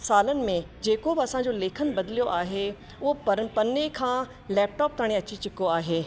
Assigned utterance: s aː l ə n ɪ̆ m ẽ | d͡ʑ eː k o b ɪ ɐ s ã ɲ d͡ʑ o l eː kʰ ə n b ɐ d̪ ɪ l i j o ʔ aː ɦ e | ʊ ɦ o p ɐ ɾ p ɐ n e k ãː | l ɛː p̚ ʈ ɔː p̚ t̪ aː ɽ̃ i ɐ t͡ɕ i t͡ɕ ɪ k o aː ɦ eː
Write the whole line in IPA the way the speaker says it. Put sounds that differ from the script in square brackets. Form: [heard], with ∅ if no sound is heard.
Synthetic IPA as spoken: s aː l ə n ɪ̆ m ẽ | d͡ʑ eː k o b ɪ ɐ s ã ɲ d͡ʑ o l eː kʰ ə n b ɐ d̪ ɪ l i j o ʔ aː ɦ e | ʊ ɦ o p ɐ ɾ p ɐ n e [kʰ] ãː | l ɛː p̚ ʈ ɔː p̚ t̪ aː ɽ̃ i ɐ t͡ɕ i t͡ɕ ɪ k o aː ɦ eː